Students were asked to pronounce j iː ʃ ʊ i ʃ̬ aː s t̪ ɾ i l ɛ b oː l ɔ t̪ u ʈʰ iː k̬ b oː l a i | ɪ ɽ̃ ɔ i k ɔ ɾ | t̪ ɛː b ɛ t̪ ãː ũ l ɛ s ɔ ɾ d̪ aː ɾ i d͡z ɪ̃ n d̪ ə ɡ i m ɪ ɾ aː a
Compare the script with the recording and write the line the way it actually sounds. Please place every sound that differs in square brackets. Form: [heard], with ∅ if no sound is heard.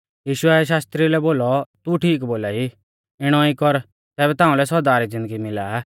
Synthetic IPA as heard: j iː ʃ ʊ [ɛ] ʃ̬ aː s t̪ ɾ i l ɛ b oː l ɔ t̪ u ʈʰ iː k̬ b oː l a i | ɪ ɽ̃ ɔ i k ɔ ɾ | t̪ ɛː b ɛ t̪ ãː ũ l ɛ s ɔ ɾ d̪ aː ɾ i d͡z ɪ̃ n d̪ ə ɡ i m ɪ [l] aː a